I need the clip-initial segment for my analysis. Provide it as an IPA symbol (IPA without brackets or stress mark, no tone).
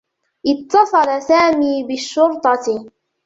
ʔ